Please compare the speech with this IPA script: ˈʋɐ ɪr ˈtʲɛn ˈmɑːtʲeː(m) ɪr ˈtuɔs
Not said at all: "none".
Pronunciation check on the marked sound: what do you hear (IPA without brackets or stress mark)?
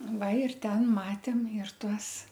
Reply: m